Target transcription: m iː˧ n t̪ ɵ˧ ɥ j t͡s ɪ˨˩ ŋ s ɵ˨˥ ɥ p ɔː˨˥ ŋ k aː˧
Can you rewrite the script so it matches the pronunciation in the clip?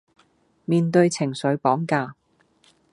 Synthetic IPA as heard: m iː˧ n t̪ ɵ˧ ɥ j t͡sʰ ɪ˨˩ ŋ s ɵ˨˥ ɥ p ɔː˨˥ ŋ k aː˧